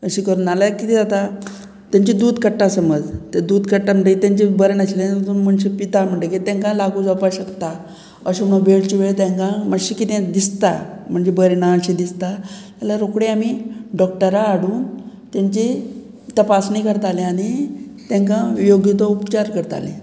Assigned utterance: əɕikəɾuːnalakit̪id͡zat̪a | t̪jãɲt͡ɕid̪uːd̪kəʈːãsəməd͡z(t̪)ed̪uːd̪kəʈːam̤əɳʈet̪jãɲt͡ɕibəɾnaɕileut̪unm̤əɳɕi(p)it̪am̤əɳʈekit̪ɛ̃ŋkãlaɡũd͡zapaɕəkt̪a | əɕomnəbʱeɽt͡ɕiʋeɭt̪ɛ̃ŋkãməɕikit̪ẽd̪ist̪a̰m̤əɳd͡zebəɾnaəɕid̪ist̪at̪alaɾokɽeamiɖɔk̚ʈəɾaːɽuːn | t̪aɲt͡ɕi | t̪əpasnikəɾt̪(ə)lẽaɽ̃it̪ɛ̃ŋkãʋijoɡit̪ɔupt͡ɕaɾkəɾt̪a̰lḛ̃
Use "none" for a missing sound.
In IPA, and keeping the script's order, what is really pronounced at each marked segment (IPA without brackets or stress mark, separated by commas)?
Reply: t̪, p, a